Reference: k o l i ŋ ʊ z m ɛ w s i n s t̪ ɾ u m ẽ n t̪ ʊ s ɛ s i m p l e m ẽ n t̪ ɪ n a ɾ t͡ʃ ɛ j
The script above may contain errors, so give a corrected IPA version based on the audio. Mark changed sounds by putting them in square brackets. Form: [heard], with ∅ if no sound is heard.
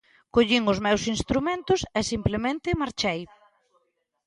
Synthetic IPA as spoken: k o [ʎ] i ŋ ʊ z m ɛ w s i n s t̪ ɾ u m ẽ n t̪ ʊ s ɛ s i m p l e m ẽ n t̪ ɪ [m] a ɾ t͡ʃ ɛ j